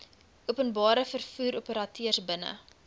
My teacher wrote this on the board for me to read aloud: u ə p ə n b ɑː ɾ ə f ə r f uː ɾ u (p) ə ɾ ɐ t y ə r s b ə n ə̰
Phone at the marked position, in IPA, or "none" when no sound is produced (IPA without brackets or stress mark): p